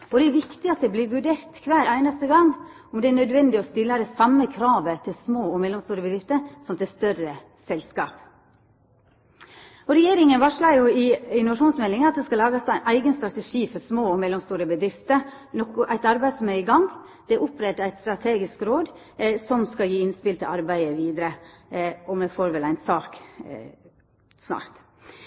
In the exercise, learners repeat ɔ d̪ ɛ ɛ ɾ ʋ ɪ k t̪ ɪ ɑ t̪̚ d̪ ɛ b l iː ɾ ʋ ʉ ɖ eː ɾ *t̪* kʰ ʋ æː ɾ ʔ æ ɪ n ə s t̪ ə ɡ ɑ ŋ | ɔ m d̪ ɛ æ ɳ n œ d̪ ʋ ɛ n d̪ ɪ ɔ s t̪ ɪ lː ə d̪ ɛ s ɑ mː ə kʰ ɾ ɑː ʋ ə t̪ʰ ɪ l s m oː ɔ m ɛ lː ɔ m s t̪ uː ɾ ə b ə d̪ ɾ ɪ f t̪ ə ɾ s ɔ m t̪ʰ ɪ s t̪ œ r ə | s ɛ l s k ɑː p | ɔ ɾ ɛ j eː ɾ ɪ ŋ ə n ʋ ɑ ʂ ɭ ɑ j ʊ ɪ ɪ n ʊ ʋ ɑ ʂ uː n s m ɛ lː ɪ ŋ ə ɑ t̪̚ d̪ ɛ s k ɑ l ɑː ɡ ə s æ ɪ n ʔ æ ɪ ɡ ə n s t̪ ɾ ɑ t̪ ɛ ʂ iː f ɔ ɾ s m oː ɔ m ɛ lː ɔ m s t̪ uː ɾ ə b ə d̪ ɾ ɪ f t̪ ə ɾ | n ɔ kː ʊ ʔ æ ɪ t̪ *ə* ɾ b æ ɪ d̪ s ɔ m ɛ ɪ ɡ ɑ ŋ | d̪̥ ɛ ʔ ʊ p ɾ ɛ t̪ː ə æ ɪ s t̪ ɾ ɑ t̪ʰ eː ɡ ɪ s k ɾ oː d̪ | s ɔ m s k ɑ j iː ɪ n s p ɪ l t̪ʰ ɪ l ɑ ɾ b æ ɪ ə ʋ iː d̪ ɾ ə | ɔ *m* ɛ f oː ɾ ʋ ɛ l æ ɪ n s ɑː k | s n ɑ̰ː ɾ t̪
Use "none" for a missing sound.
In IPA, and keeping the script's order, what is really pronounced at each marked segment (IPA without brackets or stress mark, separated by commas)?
t̪, ɑ, m